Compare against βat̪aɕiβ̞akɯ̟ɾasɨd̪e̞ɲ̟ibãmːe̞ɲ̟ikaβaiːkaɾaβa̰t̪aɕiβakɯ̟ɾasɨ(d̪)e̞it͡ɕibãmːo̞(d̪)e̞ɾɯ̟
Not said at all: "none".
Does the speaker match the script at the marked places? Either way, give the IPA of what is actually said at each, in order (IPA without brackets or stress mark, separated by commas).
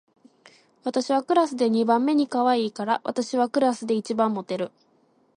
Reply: d̪, t̪